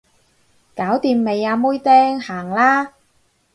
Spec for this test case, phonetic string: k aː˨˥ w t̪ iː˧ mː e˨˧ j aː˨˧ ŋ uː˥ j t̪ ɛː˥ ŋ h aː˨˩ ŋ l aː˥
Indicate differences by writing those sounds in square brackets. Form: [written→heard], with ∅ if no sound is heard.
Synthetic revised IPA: k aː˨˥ w t̪ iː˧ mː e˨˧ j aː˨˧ [ŋ→m] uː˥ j t̪ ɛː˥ ŋ h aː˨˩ ŋ l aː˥